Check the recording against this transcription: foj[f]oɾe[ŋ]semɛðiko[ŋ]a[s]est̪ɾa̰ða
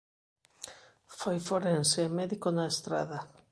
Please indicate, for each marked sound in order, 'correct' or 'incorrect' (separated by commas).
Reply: correct, incorrect, incorrect, incorrect